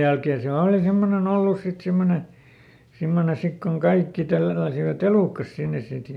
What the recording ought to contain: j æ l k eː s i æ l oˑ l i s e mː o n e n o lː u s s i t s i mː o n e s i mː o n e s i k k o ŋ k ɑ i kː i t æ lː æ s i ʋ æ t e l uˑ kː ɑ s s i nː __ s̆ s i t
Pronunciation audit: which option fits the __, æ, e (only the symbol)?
e